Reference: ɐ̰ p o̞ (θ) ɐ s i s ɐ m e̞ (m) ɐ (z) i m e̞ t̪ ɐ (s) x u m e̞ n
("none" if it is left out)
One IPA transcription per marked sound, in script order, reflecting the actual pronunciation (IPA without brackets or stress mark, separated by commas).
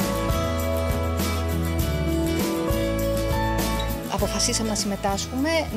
f, n, s, s